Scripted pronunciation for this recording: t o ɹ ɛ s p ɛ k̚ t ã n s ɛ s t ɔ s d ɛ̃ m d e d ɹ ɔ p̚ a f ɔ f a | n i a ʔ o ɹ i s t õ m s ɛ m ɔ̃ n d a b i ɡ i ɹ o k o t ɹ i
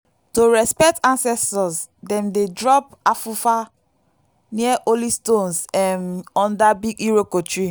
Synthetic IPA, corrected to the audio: t o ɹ ɛ s p ɛ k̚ t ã n s ɛ s t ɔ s d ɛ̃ m d e d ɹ ɔ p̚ a f u f a | n i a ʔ o l i s t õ n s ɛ m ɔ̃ n d a b i ɡ i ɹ o k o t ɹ i